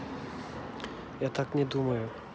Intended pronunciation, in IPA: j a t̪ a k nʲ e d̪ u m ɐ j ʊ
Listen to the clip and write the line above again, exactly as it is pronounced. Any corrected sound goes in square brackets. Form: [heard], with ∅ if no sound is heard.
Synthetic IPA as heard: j a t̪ a k nʲ [ɛ] d̪ u m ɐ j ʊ